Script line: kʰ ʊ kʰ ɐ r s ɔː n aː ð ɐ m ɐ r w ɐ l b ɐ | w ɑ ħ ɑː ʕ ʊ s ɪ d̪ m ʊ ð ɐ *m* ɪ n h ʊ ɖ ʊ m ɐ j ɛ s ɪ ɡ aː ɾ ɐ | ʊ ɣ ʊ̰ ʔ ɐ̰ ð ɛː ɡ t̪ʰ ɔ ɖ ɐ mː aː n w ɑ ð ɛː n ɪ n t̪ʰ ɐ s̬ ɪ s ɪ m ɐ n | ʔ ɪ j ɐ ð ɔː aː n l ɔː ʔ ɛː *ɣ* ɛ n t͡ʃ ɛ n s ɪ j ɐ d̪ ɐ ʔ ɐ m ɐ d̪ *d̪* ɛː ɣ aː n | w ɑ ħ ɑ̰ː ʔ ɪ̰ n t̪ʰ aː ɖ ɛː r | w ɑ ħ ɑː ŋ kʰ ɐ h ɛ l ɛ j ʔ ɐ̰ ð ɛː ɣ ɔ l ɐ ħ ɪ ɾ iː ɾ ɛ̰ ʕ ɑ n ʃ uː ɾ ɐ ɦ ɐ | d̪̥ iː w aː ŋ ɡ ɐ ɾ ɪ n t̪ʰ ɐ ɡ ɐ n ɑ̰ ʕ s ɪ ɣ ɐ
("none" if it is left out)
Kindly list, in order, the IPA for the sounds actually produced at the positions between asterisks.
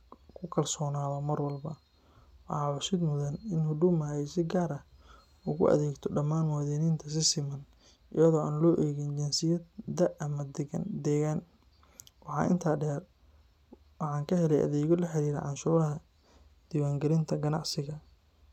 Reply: n, ɣ, d̪

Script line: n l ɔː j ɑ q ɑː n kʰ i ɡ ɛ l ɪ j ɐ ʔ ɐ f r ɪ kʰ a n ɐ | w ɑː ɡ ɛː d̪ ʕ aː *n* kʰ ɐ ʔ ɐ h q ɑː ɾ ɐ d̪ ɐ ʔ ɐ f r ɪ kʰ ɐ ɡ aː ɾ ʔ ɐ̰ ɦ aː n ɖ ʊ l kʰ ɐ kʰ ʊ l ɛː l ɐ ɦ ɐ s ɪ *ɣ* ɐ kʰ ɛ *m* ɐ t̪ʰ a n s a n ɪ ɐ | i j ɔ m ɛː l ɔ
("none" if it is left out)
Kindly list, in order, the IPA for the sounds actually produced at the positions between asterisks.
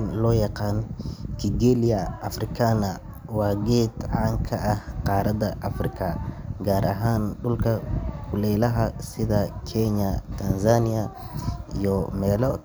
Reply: ŋ, ð, ɲ

